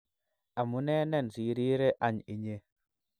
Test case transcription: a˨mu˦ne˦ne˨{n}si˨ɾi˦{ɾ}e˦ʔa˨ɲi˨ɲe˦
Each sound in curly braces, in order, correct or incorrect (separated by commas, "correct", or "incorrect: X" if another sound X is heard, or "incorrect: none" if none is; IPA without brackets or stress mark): correct, correct